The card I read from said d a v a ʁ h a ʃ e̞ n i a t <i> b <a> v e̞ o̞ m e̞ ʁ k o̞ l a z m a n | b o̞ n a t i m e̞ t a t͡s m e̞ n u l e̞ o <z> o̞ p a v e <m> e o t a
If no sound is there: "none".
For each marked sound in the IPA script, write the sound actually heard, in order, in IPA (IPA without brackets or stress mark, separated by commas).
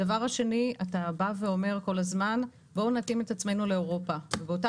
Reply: a, a, ʁ, b